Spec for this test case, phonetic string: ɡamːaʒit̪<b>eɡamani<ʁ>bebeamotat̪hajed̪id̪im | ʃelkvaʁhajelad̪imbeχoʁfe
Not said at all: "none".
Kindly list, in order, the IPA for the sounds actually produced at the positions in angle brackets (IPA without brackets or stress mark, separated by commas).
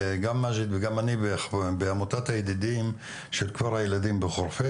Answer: v, none